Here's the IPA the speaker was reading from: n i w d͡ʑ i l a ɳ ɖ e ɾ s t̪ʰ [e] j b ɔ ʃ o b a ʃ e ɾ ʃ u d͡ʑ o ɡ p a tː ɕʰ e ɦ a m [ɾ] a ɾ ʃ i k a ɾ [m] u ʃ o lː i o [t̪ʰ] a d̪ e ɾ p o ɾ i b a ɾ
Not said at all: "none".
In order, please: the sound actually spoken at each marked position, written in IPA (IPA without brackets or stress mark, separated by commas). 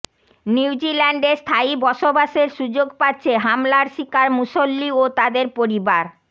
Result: a, l, m, t̪